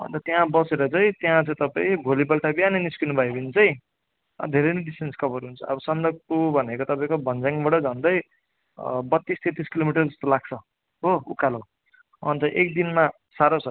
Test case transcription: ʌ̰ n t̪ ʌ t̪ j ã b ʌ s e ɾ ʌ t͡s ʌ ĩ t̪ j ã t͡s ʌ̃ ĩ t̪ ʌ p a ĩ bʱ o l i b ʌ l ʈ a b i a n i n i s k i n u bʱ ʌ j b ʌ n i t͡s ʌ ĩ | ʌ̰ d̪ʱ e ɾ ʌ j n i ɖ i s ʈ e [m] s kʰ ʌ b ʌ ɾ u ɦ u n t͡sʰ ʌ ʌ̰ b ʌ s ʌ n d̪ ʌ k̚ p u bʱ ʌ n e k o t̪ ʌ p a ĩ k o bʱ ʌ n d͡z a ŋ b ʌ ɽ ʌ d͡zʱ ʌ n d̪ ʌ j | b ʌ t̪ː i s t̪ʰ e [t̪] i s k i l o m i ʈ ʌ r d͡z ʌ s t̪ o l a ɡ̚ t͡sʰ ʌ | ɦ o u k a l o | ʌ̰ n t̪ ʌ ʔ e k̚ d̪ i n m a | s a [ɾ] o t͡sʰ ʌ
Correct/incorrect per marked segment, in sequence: incorrect: n, correct, correct

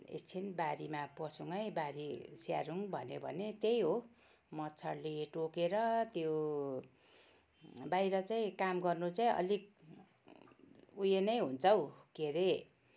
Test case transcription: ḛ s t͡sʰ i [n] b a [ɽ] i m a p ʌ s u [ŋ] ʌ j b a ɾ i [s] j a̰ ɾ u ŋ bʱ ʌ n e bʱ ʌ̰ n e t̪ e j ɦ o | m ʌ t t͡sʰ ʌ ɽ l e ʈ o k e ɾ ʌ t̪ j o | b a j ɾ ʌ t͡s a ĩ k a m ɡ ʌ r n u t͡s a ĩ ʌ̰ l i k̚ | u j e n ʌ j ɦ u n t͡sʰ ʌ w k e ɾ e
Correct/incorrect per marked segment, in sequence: correct, incorrect: ɾ, correct, correct

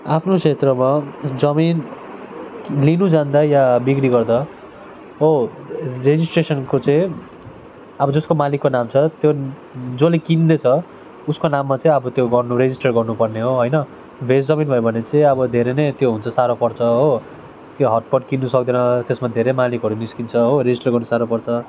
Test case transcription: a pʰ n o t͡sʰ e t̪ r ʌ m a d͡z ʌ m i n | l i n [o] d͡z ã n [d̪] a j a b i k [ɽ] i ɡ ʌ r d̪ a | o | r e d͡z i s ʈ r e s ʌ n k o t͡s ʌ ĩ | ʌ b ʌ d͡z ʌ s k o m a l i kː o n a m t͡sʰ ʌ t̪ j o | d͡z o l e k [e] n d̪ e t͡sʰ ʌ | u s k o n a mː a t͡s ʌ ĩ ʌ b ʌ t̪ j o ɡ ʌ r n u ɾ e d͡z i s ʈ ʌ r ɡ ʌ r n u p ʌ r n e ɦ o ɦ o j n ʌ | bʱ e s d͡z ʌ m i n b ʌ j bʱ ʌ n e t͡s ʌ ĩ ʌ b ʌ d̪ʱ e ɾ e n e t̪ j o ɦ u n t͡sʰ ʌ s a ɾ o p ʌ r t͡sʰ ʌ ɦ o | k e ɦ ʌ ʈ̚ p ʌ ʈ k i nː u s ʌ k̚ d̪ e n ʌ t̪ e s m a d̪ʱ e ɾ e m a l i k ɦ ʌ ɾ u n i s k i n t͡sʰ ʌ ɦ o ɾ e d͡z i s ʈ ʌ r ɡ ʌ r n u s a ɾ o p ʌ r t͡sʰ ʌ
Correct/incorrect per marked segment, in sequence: incorrect: u, correct, correct, incorrect: i

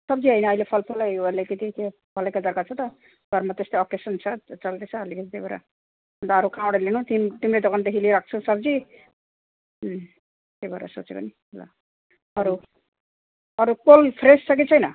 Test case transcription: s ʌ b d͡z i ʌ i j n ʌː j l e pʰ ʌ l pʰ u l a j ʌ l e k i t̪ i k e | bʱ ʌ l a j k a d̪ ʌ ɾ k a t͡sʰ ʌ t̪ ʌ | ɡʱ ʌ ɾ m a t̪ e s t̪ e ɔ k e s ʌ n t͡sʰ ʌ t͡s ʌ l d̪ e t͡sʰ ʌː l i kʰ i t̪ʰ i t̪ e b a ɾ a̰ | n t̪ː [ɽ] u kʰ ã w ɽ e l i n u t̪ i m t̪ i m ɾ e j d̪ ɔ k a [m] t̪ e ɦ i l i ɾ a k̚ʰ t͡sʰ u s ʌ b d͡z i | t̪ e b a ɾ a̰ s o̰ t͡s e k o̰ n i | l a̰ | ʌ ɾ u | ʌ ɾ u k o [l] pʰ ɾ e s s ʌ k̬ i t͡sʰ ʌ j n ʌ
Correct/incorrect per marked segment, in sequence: incorrect: ɾ, incorrect: n, correct

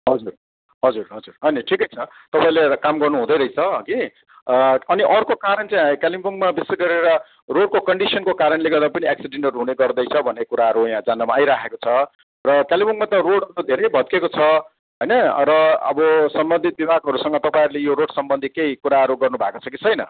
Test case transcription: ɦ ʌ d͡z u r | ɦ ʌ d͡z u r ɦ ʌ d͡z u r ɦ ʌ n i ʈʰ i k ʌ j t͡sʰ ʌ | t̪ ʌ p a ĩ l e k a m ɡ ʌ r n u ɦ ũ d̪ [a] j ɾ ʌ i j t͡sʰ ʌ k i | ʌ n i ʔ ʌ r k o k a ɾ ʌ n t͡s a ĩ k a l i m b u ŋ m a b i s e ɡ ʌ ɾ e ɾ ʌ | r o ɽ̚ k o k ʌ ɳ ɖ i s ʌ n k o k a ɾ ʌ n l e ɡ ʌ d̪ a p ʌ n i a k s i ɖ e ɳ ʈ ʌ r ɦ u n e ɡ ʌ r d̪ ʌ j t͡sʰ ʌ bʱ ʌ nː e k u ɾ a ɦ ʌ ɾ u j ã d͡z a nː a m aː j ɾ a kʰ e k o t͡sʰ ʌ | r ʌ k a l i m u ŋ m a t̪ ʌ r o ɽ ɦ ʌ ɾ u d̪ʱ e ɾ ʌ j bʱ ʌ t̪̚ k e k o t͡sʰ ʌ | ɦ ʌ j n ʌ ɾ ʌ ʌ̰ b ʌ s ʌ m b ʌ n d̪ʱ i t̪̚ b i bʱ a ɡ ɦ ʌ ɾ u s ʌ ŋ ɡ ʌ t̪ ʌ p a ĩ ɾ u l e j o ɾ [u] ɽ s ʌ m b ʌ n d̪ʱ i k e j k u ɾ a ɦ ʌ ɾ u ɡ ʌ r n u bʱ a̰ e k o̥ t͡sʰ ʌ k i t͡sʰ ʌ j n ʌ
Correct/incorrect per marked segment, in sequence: incorrect: ʌ, incorrect: o

